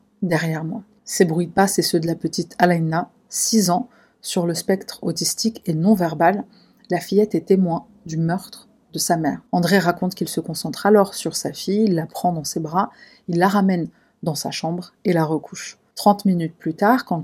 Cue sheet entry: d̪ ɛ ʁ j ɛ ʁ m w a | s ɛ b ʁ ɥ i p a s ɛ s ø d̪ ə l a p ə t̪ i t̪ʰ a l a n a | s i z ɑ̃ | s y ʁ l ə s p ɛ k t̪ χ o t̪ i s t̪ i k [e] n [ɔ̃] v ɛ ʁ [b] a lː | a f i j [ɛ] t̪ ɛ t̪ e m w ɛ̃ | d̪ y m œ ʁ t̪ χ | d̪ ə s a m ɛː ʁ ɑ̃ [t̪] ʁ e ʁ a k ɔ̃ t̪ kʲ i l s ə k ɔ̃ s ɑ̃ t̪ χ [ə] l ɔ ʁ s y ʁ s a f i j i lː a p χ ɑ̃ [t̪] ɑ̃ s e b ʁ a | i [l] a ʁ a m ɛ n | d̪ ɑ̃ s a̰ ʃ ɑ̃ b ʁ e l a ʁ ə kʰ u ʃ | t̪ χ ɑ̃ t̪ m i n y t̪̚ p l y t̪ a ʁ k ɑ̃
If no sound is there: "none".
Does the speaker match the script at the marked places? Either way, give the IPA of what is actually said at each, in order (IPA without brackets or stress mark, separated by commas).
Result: e, ɔ̃, b, ɛ, d̪, a, d̪, lː